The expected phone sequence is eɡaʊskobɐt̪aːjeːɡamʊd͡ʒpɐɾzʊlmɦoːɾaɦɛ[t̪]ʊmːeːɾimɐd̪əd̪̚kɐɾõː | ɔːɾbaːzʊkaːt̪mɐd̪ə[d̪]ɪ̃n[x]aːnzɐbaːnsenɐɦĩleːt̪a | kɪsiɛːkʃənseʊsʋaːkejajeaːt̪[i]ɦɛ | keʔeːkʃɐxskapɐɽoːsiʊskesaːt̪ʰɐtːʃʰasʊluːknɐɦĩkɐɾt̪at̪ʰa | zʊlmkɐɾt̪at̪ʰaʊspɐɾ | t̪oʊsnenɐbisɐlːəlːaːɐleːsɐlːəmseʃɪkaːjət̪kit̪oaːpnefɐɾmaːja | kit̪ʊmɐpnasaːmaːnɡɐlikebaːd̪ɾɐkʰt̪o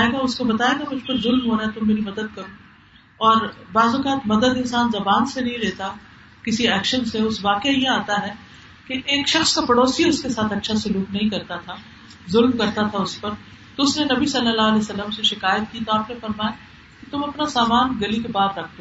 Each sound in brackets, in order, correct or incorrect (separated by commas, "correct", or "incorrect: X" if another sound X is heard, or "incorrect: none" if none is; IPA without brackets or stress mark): correct, correct, incorrect: s, incorrect: a